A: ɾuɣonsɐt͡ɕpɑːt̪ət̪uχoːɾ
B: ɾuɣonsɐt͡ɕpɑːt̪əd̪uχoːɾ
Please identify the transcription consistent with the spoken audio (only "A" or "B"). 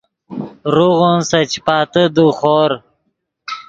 B